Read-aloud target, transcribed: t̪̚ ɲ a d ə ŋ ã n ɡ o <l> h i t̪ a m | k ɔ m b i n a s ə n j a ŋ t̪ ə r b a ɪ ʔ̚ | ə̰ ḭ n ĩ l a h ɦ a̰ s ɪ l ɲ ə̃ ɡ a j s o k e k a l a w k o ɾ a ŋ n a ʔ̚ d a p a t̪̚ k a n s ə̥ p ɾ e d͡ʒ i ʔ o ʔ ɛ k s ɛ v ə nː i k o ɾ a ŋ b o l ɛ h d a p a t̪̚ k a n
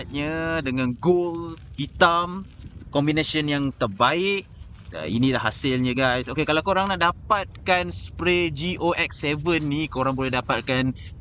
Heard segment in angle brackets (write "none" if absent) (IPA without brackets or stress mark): l